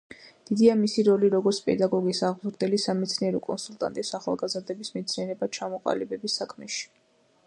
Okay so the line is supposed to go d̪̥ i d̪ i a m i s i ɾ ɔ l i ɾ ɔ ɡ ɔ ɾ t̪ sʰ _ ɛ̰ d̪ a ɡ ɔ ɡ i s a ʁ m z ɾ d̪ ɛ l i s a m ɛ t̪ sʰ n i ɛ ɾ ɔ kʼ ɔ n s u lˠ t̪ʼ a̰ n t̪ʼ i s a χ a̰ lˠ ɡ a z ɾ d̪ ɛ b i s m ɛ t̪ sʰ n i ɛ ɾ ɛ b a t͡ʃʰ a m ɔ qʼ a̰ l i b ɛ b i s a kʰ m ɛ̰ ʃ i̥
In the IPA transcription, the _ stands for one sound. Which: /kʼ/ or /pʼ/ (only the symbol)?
pʼ